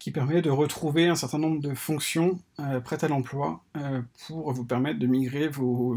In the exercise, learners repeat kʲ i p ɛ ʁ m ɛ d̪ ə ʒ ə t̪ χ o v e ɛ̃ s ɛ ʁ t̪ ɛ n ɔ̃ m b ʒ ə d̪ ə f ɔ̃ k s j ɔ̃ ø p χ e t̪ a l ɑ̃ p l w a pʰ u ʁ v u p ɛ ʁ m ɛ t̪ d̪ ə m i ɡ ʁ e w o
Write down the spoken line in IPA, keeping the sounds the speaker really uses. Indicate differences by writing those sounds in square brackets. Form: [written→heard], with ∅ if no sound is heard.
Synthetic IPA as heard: kʲ i p ɛ ʁ m ɛ d̪ ə [ʒ→ʁ] ə t̪ χ [o→u] v e ɛ̃ s ɛ ʁ t̪ [ɛ→ɛ̃] n ɔ̃ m b [ʒ→ʁ] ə d̪ ə f ɔ̃ k s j ɔ̃ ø p χ [e→ɛ] t̪ a l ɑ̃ p l w a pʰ u ʁ v u p ɛ ʁ m ɛ t̪ d̪ ə m i ɡ ʁ e [w→v] o